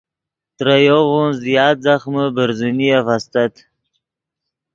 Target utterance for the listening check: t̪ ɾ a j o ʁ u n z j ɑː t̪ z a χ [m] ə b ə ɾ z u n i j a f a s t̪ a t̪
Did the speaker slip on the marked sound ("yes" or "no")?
no